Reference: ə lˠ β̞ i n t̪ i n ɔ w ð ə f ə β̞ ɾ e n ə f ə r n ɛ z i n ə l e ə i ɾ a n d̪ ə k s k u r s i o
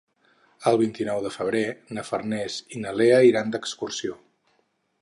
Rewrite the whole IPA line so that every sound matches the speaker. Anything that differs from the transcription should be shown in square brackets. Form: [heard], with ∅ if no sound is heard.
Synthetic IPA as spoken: ə lˠ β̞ i n t̪ i n ɔ w ð ə f ə β̞ ɾ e n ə f ə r n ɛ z i n ə l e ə i ɾ a n d̪ ə k s k u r s i o